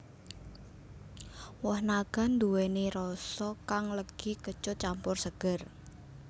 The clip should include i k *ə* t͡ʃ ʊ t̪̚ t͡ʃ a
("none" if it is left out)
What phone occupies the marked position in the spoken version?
ə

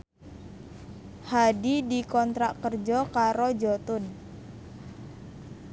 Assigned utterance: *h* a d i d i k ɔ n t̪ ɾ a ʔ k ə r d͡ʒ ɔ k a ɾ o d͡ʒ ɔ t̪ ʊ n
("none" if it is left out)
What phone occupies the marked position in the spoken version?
h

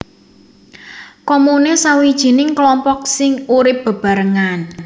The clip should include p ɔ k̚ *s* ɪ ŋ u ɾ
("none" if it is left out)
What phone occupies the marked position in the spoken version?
s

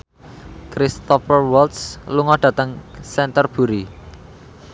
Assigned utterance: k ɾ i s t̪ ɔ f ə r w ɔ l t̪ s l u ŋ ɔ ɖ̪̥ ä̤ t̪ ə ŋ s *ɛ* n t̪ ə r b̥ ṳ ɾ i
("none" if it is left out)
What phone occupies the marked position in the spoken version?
ɛ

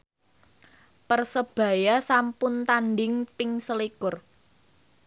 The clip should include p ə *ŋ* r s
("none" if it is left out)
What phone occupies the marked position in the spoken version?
none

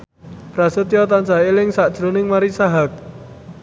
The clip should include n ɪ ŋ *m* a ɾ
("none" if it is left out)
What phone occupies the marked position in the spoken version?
m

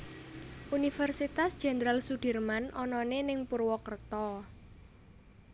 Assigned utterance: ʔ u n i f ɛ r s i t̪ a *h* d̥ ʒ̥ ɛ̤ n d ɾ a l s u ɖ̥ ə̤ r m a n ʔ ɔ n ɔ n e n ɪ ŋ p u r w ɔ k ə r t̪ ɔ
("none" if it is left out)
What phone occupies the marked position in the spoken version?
s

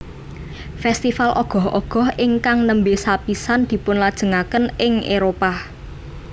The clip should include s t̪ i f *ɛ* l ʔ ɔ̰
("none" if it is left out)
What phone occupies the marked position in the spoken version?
a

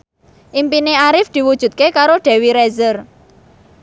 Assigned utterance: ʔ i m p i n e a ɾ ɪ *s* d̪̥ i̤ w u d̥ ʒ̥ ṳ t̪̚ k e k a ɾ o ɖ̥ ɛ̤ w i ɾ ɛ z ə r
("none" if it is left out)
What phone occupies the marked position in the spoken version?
f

